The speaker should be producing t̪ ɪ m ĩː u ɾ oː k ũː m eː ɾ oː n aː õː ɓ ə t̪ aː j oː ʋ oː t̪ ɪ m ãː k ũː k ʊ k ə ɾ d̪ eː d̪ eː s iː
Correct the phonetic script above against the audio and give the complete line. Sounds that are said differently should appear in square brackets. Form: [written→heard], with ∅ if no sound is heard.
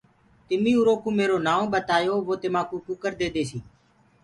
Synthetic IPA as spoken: t̪ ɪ m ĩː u ɾ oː k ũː m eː ɾ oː n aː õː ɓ ə t̪ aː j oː ʋ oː t̪ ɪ m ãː k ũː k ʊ k ə ɾ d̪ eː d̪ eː s iː